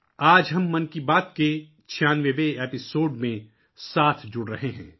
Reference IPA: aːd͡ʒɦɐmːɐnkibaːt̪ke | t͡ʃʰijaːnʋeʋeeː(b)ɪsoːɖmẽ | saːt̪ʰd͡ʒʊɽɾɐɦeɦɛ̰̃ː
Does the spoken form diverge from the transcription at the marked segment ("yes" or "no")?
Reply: yes